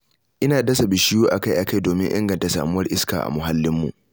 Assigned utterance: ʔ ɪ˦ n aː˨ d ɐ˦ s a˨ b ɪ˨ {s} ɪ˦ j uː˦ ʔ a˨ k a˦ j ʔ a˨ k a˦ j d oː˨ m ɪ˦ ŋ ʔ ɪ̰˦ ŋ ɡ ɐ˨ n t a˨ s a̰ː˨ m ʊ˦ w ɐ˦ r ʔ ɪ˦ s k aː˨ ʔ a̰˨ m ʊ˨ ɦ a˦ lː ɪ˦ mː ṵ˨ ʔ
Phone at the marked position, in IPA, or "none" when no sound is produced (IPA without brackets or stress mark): ʃ